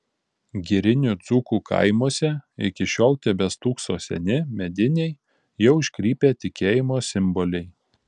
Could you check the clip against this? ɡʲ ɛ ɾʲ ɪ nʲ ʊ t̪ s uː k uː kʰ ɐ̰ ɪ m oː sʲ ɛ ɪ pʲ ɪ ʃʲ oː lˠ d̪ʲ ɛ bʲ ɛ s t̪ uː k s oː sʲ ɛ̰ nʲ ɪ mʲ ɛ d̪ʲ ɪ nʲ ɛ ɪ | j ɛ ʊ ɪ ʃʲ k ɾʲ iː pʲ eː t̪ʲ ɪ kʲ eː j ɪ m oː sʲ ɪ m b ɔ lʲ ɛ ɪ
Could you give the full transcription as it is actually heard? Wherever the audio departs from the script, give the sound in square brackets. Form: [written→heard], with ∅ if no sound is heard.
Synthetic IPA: ɡʲ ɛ ɾʲ ɪ nʲ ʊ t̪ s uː k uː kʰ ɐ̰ ɪ m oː sʲ ɛ ɪ [pʲ→kʲ] ɪ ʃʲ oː lˠ [d̪ʲ→t̪ʲ] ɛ bʲ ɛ s t̪ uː k s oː sʲ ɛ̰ nʲ ɪ mʲ ɛ d̪ʲ ɪ nʲ ɛ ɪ | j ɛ ʊ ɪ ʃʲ k ɾʲ iː pʲ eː t̪ʲ ɪ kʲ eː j ɪ m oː sʲ ɪ m b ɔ lʲ ɛ ɪ